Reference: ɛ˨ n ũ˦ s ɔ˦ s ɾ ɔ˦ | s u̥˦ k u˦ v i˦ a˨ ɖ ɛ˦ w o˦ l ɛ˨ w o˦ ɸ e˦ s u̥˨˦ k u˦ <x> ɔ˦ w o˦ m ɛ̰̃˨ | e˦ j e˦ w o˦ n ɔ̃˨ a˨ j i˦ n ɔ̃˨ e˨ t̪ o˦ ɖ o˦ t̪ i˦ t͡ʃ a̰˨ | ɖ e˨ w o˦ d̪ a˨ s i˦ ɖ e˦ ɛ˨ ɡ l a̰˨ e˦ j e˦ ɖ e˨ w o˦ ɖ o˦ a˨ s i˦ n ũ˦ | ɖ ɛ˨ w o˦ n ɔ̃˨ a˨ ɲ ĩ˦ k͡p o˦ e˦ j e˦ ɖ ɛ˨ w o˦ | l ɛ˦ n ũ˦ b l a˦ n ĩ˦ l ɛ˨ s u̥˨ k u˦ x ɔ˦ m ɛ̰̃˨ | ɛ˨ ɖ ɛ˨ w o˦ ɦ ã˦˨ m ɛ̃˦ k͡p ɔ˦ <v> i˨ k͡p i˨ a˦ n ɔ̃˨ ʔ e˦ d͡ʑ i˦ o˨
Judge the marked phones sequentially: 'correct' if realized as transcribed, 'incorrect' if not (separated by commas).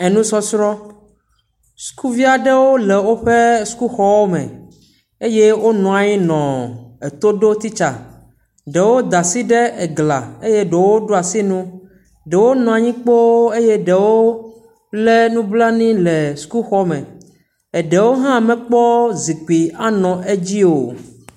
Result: correct, incorrect